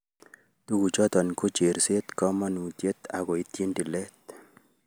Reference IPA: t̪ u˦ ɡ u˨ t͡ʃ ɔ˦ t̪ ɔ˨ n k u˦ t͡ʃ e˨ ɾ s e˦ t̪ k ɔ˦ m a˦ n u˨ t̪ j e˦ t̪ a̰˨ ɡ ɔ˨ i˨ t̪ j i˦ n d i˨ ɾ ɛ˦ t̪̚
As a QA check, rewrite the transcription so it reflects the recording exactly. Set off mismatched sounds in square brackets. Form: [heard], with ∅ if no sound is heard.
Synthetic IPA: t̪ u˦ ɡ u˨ t͡ʃ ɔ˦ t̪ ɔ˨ n k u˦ t͡ʃ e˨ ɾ s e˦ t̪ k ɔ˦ m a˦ n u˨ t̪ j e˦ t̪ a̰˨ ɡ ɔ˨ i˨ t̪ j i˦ n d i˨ [l] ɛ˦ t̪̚